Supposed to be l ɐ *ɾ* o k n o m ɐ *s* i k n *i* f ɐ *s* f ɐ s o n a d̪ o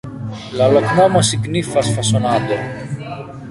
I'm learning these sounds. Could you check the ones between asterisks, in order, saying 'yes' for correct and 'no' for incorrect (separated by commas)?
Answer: no, yes, yes, yes